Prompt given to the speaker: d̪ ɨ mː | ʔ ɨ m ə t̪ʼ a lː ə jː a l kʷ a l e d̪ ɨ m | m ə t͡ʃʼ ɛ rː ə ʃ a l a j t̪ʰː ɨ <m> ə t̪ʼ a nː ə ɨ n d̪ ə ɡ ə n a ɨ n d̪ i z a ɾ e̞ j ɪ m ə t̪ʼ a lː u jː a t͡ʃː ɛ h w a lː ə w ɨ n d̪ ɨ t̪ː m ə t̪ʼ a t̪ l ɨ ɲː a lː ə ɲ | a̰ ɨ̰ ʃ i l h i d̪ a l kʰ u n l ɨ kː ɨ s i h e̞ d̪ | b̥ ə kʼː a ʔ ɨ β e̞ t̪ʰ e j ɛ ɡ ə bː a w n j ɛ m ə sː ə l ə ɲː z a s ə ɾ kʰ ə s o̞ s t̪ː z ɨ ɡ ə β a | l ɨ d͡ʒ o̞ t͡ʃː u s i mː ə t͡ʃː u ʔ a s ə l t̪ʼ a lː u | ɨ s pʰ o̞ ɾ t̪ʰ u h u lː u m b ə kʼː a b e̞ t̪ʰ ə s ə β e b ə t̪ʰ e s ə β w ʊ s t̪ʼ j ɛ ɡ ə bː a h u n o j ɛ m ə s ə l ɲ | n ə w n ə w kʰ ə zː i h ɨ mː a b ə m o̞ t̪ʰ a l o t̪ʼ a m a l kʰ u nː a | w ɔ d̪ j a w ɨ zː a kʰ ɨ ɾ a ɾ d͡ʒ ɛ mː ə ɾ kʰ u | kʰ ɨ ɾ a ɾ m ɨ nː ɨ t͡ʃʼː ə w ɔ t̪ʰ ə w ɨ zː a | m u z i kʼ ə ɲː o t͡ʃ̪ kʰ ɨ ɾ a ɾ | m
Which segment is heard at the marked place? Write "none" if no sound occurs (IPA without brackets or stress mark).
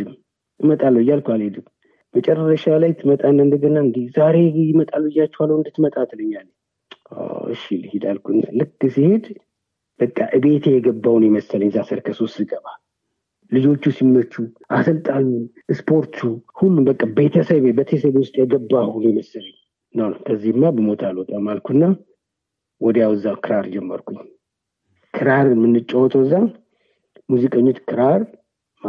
m